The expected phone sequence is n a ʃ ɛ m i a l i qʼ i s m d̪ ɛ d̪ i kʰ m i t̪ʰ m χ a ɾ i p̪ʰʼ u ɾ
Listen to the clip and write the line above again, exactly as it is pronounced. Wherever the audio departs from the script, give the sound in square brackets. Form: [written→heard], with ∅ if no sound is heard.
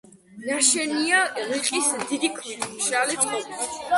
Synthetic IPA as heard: n a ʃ ɛ [m→n] i a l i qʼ i s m d̪ [ɛ→i] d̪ i kʰ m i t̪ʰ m [χ→ʃ] a [ɾ→l] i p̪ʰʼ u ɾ

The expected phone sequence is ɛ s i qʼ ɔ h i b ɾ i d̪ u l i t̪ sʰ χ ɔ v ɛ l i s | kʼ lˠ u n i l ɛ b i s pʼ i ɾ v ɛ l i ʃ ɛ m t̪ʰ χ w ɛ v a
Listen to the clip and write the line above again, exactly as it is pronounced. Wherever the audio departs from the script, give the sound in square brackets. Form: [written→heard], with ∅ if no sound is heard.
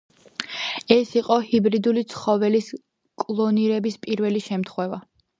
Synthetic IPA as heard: ɛ s i qʼ ɔ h i b ɾ i d̪ u l i t̪ sʰ χ ɔ v ɛ l i s | kʼ lˠ [u→ɔ] n i [l→ɾ] ɛ b i s pʼ i ɾ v ɛ l i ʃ ɛ m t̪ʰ χ w ɛ v a

